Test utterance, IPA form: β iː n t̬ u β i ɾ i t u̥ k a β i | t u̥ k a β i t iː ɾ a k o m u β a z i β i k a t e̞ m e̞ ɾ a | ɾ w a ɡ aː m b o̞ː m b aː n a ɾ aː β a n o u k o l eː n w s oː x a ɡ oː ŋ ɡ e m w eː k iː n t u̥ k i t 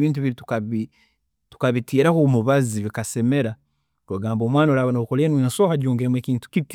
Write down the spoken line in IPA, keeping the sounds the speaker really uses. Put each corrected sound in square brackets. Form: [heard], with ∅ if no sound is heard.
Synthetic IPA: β iː n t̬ u β i ɾ i t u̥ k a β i | t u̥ k a β i t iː ɾ a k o m u β a z i β i k a [s] e̞ m e̞ ɾ a | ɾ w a ɡ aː m b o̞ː m [w] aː n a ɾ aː β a n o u k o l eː n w s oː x a [ɟ] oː ŋ ɡ e m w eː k iː n t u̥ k i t